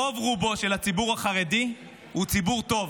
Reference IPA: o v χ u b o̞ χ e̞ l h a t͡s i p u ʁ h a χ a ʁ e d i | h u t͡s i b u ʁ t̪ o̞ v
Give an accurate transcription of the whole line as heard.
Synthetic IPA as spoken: o v ʁ u b o̞ ʃ e̞ l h a t͡s i b u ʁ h a χ a ʁ e d i | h u t͡s i b u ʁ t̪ o̞ v